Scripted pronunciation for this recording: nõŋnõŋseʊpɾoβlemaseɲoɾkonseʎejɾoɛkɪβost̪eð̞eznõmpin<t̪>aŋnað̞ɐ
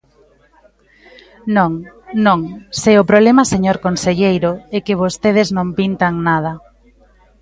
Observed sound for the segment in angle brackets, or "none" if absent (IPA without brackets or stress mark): t̪